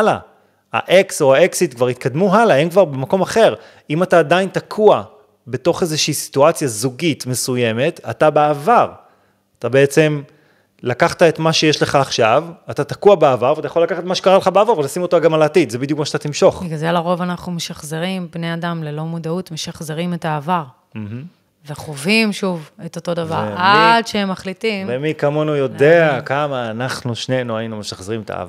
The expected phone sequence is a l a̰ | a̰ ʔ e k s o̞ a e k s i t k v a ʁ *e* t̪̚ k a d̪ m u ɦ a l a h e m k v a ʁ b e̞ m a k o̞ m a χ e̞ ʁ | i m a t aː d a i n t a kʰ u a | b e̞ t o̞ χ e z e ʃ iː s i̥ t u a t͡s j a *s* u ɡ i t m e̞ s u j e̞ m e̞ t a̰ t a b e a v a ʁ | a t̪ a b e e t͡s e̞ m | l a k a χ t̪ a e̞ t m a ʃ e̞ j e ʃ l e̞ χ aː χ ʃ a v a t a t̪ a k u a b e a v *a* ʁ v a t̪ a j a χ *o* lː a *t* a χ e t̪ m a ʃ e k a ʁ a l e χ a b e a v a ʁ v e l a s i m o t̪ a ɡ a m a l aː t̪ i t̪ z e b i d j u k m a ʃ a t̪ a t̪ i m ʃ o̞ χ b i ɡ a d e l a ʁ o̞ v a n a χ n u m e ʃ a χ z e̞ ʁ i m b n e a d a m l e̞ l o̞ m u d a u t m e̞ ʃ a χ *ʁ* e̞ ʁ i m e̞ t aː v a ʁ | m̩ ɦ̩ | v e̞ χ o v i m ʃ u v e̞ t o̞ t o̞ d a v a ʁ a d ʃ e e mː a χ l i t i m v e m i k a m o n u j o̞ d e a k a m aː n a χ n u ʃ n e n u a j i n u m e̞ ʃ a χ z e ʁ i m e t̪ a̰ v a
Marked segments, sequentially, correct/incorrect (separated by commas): incorrect, incorrect, correct, correct, incorrect, incorrect